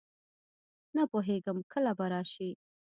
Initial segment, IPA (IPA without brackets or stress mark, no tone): n